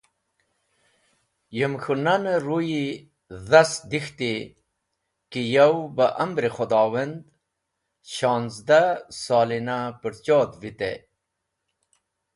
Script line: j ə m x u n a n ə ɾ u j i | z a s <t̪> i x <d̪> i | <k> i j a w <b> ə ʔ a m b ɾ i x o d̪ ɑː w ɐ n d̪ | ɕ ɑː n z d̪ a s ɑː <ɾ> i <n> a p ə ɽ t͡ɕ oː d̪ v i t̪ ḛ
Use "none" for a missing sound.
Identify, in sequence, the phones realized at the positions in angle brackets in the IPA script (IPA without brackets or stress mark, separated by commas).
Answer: d̪, t̪, k, b, l, n